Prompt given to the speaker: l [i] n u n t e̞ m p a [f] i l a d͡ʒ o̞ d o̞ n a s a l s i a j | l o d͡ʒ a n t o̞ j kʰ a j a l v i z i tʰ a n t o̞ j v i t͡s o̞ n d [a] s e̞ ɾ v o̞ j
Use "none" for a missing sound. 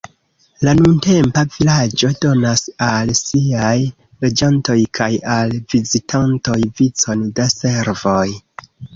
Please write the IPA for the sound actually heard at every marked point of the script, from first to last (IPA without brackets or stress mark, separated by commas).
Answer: a, v, a